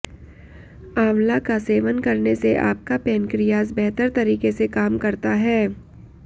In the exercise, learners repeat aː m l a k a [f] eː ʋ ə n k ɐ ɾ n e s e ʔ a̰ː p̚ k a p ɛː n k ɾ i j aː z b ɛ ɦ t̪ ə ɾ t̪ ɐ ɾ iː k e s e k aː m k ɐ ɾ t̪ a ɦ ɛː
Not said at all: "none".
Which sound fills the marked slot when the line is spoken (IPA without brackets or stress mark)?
s